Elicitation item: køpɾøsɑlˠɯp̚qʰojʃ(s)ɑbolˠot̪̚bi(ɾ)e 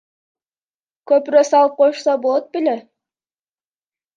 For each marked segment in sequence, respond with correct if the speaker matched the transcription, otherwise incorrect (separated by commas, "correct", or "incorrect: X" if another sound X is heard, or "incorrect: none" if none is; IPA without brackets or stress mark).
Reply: correct, incorrect: l